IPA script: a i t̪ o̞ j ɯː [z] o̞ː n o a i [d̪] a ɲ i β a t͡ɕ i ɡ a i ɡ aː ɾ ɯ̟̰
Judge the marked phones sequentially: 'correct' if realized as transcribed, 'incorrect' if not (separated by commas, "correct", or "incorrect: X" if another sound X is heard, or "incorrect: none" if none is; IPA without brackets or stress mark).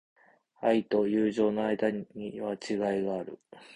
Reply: incorrect: ʑ, correct